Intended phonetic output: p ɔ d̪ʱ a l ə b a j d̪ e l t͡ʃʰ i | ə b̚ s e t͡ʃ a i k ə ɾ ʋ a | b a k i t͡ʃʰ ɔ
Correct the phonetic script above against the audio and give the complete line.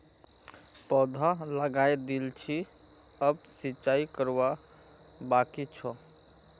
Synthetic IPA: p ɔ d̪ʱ a l ə ɡ a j d̪ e l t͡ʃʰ i | ə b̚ s i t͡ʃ a i k ə ɾ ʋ a | b a k i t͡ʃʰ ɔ